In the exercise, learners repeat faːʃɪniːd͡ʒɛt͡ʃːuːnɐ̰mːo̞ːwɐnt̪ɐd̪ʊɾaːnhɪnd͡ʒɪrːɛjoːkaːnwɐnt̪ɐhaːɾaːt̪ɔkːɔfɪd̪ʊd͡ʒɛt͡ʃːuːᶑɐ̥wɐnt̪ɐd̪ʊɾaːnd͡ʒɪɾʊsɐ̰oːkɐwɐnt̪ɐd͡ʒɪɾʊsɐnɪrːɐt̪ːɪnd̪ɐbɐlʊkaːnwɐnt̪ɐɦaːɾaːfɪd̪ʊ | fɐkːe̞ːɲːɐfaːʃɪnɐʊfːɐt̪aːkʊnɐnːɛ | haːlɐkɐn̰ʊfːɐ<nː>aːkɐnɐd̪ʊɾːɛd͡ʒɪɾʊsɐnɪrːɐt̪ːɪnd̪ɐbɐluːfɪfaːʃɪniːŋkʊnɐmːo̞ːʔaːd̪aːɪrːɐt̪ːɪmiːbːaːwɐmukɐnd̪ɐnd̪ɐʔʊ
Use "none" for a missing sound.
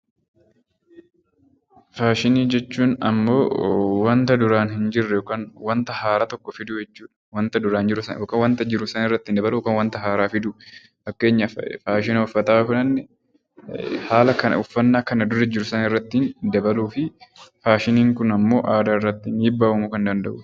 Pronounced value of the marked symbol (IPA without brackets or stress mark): nː